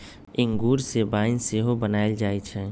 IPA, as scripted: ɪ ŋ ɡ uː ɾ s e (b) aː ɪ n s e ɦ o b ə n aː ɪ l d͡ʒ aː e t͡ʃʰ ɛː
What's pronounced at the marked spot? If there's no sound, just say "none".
b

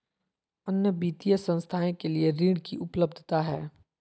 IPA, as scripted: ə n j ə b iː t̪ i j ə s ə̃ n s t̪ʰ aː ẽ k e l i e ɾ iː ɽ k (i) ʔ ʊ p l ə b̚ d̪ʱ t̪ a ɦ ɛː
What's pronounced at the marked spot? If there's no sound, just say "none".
i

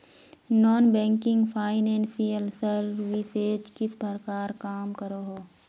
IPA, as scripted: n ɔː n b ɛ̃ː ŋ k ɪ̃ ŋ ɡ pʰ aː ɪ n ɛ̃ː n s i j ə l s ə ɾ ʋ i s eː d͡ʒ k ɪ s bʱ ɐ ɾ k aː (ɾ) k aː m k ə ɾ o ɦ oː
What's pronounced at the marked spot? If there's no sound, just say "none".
ɾ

